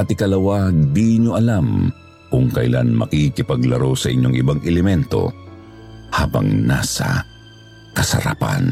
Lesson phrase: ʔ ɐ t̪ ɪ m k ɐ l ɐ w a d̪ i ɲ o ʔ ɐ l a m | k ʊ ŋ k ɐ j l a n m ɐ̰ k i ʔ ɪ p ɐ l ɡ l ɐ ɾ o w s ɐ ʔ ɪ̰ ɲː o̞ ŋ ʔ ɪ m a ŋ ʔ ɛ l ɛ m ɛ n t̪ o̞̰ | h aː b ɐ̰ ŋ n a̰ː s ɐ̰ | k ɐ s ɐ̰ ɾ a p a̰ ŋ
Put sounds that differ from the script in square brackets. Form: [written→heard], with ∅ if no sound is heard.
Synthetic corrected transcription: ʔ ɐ t̪ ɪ [m→∅] k ɐ l ɐ w a d̪ i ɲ o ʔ ɐ l a m | k ʊ ŋ k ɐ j l a n m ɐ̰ k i [ʔ→k] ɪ p ɐ [l→∅] ɡ l ɐ ɾ o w s ɐ ʔ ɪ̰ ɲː o̞ ŋ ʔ ɪ [m→b] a ŋ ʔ ɛ l ɛ m ɛ n t̪ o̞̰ | h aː b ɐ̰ ŋ n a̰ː s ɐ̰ | k ɐ s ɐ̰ ɾ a p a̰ [ŋ→n]